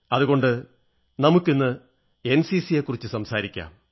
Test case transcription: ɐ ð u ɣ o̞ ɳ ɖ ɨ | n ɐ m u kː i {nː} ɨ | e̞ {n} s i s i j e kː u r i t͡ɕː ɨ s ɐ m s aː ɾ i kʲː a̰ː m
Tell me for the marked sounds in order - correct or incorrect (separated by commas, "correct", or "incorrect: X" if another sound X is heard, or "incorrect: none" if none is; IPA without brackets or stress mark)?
correct, correct